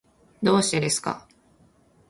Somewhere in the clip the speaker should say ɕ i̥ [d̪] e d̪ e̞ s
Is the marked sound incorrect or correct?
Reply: incorrect